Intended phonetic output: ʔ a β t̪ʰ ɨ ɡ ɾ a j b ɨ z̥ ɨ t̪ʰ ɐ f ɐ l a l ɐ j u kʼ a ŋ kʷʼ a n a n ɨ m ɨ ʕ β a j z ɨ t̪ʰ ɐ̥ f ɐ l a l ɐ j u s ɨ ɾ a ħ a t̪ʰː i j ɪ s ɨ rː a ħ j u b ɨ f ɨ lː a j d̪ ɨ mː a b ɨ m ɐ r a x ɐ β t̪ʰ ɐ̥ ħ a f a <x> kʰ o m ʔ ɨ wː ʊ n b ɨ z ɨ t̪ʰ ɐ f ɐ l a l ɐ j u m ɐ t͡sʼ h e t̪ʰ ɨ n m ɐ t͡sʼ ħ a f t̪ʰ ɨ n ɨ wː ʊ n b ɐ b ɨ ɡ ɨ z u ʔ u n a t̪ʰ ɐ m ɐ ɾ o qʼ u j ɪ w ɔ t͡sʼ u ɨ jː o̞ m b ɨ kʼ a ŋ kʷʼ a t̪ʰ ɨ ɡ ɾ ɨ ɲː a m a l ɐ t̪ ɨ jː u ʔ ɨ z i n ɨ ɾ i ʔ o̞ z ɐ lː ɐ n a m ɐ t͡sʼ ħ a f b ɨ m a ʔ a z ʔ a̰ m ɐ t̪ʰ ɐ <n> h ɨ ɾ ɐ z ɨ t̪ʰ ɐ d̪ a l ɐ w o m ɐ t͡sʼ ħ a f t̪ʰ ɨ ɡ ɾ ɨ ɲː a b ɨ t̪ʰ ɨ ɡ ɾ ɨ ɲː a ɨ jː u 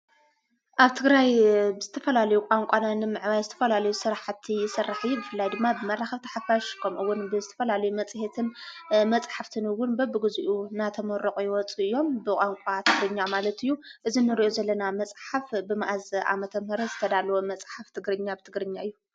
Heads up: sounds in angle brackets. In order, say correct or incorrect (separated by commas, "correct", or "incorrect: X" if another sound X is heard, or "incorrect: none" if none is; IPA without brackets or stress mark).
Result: incorrect: ʃ, incorrect: m